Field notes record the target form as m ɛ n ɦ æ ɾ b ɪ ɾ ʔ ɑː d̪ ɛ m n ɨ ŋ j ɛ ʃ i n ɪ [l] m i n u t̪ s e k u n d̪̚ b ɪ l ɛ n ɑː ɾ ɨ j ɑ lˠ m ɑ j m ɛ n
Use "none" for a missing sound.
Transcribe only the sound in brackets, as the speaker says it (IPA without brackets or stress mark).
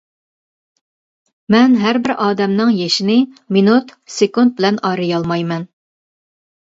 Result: none